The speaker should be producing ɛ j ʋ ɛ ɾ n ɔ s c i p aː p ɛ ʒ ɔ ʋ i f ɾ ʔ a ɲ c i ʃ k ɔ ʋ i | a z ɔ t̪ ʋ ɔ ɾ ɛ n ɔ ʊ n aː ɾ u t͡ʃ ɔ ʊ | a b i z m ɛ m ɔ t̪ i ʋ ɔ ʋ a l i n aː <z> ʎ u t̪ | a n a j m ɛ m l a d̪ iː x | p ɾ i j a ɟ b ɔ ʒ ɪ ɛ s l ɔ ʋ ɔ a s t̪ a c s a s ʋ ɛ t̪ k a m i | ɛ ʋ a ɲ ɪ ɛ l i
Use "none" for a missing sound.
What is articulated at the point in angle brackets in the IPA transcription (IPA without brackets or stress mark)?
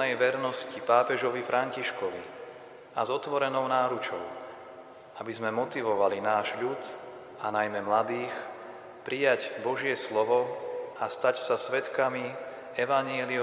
ʒ